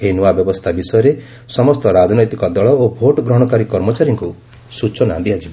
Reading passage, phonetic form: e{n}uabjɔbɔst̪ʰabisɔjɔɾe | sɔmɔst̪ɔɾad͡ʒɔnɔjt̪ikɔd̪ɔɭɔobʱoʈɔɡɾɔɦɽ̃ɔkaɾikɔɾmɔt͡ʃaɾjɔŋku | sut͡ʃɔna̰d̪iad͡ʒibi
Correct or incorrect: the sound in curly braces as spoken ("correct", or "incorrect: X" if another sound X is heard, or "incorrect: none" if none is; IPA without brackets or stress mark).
correct